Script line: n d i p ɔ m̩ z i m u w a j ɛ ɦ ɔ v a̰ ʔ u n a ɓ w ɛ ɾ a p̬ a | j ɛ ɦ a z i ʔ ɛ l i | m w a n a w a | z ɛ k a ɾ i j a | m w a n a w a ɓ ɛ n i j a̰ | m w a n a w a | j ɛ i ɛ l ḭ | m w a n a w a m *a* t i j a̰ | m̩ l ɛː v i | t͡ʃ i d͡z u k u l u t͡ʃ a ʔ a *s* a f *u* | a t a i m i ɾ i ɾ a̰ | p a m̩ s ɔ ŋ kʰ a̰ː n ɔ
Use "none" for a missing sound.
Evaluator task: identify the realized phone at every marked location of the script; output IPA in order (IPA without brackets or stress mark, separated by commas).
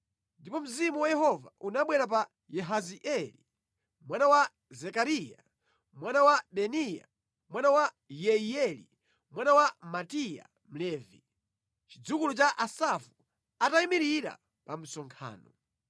a, s, u